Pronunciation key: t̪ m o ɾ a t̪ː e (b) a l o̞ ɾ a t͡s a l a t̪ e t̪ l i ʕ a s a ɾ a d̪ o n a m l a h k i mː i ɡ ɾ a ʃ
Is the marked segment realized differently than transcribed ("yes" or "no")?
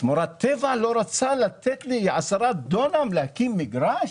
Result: yes